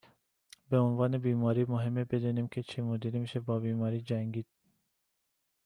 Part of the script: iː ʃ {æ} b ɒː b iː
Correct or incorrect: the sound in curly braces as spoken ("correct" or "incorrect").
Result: incorrect